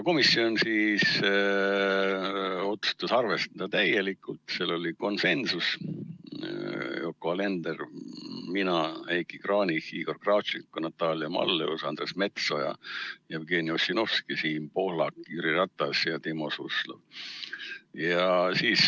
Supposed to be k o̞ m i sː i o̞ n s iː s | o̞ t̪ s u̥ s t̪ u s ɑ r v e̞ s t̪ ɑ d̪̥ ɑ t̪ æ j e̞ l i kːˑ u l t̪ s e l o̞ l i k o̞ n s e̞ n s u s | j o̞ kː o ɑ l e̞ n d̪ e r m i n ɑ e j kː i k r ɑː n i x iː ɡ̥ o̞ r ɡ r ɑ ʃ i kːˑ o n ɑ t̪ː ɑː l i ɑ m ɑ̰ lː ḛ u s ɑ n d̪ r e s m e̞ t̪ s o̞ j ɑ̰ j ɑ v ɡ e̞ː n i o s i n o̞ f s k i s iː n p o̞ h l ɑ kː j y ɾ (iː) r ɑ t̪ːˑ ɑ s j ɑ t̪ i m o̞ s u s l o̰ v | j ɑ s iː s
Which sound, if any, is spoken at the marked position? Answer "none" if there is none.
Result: i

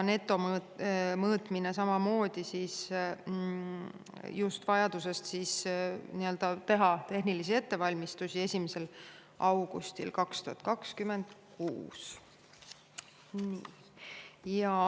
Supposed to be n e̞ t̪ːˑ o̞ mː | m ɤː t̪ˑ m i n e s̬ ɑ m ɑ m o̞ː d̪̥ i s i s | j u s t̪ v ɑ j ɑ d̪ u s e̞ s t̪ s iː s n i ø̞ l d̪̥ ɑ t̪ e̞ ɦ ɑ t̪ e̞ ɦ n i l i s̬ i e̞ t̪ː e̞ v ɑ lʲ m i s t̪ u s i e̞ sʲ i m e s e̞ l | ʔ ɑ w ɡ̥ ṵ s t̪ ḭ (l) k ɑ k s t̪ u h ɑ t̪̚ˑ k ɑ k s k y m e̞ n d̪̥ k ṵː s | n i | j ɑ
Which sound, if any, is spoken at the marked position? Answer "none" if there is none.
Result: l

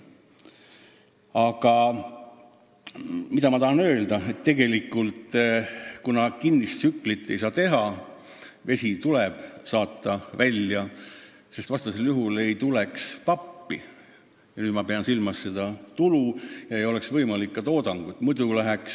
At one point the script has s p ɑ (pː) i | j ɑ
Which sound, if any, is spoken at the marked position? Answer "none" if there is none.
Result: pː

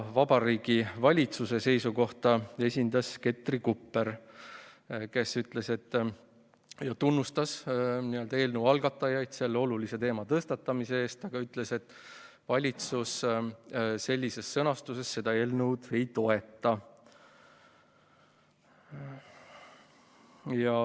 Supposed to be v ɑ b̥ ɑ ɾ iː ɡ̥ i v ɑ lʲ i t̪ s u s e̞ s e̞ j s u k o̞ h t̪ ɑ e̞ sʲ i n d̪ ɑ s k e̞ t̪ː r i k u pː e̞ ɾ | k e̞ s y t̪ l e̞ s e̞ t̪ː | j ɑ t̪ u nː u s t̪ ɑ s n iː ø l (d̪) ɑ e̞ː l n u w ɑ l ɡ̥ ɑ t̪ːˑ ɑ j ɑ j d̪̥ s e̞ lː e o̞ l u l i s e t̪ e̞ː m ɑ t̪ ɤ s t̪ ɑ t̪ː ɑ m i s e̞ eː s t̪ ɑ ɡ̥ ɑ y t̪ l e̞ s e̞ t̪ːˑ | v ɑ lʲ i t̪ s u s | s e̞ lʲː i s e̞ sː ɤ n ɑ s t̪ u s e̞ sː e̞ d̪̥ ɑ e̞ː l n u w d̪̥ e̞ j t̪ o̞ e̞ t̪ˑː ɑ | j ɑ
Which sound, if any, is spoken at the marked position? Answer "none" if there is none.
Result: d̪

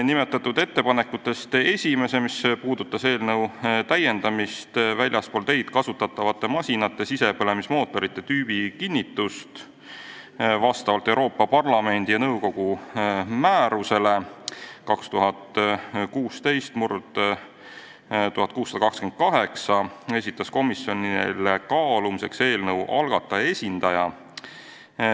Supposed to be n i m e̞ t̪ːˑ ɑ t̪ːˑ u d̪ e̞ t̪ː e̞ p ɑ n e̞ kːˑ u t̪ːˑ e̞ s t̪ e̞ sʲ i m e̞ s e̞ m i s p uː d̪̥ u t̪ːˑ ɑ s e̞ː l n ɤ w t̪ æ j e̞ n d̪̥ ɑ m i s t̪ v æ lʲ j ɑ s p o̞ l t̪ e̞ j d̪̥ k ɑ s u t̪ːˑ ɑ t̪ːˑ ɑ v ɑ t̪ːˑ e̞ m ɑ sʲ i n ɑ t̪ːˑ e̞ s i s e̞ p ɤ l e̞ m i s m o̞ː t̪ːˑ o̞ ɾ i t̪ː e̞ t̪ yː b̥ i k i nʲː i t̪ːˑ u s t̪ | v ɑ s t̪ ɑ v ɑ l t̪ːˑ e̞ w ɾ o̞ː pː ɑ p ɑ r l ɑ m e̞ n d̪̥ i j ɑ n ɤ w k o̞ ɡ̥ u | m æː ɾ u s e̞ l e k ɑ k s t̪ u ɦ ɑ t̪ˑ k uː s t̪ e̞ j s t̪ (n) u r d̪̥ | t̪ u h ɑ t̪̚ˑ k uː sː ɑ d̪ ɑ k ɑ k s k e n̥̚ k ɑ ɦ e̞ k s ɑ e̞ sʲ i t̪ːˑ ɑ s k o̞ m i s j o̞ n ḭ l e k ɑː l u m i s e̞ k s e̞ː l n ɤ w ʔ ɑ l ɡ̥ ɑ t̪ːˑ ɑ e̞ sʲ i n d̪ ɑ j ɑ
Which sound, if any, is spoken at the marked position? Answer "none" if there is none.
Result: m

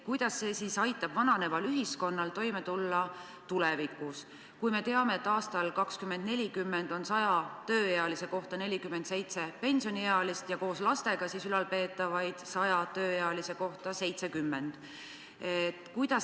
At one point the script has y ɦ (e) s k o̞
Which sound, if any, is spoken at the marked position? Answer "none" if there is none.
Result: i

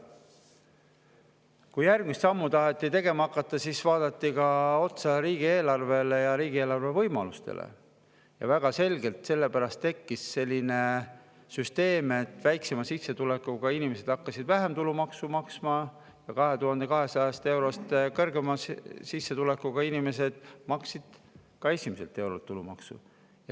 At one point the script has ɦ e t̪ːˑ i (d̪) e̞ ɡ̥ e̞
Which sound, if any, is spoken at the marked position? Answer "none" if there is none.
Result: t̪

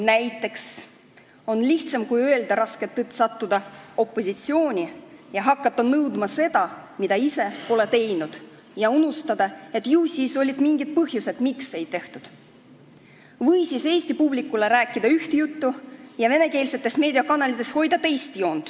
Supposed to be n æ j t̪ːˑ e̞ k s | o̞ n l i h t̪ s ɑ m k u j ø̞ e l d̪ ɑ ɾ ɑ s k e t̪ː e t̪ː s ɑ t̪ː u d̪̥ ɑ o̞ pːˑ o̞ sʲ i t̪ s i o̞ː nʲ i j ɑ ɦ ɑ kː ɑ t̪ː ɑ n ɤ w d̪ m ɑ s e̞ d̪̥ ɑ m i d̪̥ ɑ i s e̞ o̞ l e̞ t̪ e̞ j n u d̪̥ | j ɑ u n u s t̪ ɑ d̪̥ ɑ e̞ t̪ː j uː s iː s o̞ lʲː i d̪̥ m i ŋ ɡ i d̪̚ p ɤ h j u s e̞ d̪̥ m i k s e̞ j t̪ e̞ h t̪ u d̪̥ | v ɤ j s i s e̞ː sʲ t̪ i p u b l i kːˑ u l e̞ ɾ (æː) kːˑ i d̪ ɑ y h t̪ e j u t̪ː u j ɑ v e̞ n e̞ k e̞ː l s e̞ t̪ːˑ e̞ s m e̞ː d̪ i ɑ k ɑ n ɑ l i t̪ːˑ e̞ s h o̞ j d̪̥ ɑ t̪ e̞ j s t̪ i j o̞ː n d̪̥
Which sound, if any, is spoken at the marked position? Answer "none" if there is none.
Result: æː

